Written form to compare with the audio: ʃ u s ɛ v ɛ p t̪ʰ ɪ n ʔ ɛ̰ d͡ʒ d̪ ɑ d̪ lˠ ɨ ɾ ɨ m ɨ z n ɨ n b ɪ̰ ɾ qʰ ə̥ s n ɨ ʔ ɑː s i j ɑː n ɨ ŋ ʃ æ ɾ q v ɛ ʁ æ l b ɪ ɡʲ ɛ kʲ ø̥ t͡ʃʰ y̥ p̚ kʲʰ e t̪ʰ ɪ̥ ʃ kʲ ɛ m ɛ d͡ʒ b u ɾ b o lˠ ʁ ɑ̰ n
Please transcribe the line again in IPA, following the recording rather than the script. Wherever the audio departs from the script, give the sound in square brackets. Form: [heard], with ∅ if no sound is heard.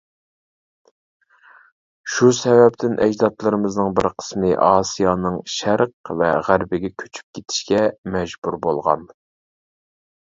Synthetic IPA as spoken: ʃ u s ɛ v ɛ p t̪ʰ ɪ n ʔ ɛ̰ d͡ʒ d̪ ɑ [t̪] lˠ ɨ ɾ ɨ m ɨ z n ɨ [ŋ] b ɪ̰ ɾ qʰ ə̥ s [m] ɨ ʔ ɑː s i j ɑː n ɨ ŋ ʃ æ ɾ q v ɛ ʁ æ [ɾ] b ɪ ɡʲ ɛ [kʲʰ] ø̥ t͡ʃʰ y̥ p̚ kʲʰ e t̪ʰ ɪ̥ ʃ kʲ ɛ m ɛ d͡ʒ b u ɾ b o lˠ ʁ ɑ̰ n

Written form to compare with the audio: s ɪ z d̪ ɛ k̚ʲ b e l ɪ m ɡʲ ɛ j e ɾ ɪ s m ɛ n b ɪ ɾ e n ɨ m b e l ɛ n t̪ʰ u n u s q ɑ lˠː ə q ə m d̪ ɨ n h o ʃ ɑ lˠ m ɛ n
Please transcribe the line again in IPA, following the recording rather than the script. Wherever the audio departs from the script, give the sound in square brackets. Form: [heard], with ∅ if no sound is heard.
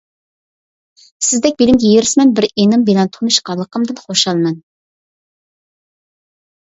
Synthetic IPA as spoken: s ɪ z d̪ ɛ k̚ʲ b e l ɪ m ɡʲ ɛ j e ɾ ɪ s m ɛ n b ɪ ɾ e n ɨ m b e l ɛ n t̪ʰ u n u [ʃ] q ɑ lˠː ə q ə m d̪ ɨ n [χ] o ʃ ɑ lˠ m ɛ n

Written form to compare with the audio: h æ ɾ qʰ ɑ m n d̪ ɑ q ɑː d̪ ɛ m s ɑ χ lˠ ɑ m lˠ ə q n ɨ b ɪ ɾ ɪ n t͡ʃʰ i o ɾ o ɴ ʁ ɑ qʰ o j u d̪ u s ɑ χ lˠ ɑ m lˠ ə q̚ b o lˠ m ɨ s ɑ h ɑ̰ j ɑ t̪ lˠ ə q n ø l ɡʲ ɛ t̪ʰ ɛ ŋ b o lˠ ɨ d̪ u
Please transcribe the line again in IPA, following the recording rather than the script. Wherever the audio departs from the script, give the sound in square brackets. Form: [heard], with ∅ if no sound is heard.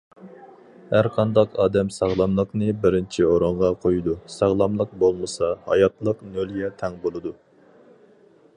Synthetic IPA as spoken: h æ ɾ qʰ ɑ [∅] n d̪ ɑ q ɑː d̪ ɛ m s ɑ [ʁ] lˠ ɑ m lˠ ə q n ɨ b ɪ ɾ ɪ n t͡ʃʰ i o ɾ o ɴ ʁ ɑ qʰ o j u d̪ u s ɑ [ʁ] lˠ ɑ m lˠ ə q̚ b o lˠ m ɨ s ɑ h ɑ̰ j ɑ t̪ lˠ ə q n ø l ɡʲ ɛ t̪ʰ ɛ ŋ b o lˠ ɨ d̪ u

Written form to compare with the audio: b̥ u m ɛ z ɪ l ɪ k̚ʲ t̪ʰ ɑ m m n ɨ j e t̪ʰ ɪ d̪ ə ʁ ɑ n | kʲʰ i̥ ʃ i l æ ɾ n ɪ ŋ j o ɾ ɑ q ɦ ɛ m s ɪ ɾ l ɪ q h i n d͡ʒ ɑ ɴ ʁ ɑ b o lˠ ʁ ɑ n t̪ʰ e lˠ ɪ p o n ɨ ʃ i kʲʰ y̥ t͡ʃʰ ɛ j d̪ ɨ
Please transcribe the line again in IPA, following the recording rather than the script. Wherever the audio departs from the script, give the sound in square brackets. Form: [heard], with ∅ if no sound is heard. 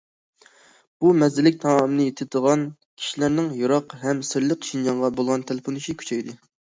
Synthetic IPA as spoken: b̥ u m ɛ z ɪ l ɪ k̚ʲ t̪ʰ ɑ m m n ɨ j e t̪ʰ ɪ d̪ ə ʁ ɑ n | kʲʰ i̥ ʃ i l æ ɾ n ɪ ŋ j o ɾ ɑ q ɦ ɛ m s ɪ ɾ l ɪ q [ʃ] i n d͡ʒ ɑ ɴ ʁ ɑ b o lˠ ʁ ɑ n t̪ʰ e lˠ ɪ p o n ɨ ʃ i kʲʰ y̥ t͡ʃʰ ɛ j d̪ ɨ

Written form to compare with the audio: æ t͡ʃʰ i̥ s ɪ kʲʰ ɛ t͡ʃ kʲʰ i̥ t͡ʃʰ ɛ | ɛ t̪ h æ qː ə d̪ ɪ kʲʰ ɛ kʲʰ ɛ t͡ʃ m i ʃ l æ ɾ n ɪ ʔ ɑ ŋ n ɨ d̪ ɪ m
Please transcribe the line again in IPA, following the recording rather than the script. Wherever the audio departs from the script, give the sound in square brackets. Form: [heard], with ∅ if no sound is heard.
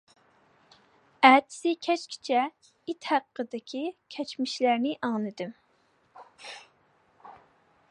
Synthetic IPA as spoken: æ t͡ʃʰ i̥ s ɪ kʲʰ ɛ t͡ʃ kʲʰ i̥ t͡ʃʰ ɛ | [i] t̪ h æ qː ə d̪ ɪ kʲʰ [i] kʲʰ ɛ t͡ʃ m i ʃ l æ ɾ n ɪ ʔ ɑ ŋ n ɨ d̪ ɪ m

